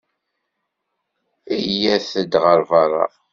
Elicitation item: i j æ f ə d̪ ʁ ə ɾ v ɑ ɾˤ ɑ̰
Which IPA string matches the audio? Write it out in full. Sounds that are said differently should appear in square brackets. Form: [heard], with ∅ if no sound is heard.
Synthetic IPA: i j æ [θ] ə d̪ ʁ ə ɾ v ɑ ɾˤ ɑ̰